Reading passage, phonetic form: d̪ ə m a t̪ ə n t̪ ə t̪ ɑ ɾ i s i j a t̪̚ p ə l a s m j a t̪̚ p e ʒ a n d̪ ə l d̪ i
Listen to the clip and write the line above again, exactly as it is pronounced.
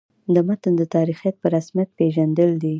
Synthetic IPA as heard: d̪ ə m a t̪ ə n d̪ ə t̪ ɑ ɾ i x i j a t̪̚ p ə ɾ a s m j a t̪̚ p e ʒ a n d̪ ə l d̪ i

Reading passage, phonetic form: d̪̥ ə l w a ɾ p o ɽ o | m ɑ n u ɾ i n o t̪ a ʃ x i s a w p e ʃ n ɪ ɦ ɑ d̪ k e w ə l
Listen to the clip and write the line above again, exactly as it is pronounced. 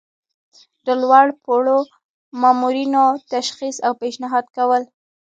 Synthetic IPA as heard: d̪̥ ə l w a ɽ p o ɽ o | m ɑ m u ɾ i n o t̪ a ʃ x i s a w p e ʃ n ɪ ɦ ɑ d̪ k a w ə l

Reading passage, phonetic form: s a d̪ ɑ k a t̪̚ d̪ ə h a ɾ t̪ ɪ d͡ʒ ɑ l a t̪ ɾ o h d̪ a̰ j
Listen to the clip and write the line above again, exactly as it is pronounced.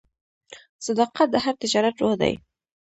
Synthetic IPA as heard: s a d̪ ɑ q a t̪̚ d̪ ə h a ɾ t̪ ɪ d͡ʒ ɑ ɾ a t̪ ɾ o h d̪ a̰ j

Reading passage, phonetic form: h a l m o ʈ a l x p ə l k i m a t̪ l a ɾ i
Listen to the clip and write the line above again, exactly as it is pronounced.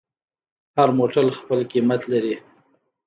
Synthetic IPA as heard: h a ɾ m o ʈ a l x p ə l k i m a t̪ l a ɾ i

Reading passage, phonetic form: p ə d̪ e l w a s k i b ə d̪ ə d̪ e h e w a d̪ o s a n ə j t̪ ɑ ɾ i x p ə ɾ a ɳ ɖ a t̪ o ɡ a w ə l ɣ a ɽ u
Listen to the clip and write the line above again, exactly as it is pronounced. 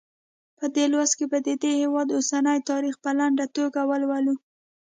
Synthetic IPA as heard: p ə d̪ e l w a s k e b ə d̪ ə d̪ e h e w ɑ d̪ o s a n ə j t̪ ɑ ɾ i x p ə l a ɳ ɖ a t̪ o ɡ a w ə l w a l u

